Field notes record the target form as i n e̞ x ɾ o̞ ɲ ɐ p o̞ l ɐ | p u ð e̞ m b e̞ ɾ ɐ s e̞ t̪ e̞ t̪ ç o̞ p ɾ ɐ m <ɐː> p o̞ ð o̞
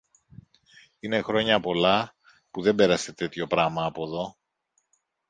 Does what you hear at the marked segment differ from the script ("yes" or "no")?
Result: no